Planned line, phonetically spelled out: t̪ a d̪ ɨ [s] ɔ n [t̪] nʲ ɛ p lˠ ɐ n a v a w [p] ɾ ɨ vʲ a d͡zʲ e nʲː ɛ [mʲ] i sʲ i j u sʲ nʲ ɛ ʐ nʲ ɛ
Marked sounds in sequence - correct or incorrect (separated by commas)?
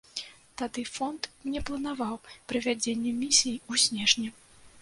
incorrect, correct, correct, correct